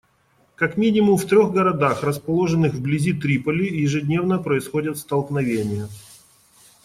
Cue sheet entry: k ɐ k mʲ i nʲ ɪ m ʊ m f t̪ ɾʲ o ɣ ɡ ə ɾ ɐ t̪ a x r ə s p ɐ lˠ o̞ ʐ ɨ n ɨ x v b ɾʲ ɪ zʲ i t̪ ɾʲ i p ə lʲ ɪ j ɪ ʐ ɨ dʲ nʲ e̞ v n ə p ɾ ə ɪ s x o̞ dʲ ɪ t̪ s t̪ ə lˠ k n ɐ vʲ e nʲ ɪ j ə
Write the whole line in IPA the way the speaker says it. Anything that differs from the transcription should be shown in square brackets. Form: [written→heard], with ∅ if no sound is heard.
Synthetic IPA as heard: k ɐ k mʲ i nʲ ɪ m ʊ m f t̪ ɾʲ o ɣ ɡ ə ɾ ɐ [t̪→d̪] a x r ə s p ɐ lˠ o̞ ʐ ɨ n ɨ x v b [ɾʲ→lʲ] ɪ zʲ i t̪ ɾʲ i p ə lʲ ɪ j ɪ ʐ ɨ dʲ nʲ e̞ v n ə p ɾ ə ɪ s x o̞ dʲ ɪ t̪ s t̪ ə lˠ k n ɐ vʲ e nʲ ɪ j ə